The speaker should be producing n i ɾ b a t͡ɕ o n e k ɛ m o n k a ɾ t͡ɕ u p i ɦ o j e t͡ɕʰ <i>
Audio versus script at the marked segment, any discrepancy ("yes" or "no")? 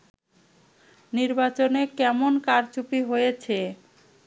yes